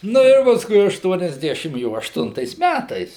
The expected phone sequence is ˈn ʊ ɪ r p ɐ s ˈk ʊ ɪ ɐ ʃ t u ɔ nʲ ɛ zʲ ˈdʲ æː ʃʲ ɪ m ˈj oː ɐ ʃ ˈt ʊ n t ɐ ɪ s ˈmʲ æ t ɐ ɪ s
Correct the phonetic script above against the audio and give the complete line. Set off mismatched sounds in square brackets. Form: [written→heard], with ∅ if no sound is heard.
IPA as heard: ˈn ʊ ɪ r p ɐ s ˈk ʊ ɪ ɐ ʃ t u ɔ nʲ ɛ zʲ ˈdʲ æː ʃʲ ɪ m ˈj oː ɐ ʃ ˈt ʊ n t ɐ ɪ s ˈmʲ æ t ɐ ɪ s